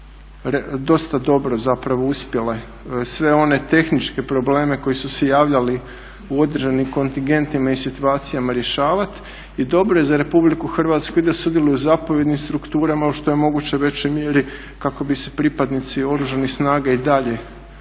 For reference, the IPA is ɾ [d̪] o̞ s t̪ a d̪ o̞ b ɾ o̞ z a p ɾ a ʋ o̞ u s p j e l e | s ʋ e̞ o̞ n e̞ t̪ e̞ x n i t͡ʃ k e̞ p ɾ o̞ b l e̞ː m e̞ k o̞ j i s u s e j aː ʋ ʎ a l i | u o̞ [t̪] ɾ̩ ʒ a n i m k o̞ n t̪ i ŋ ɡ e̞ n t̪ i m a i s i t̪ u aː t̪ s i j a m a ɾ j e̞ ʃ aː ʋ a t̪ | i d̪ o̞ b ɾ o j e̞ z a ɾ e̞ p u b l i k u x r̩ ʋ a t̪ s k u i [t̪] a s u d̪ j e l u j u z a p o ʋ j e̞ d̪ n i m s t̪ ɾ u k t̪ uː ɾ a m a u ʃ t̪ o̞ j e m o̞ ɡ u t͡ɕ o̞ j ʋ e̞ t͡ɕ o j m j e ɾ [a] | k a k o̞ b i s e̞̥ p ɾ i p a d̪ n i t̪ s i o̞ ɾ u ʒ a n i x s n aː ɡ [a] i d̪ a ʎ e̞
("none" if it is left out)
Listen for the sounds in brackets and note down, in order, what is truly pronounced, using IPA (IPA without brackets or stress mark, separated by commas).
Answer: d̪, d̪, d̪, i, a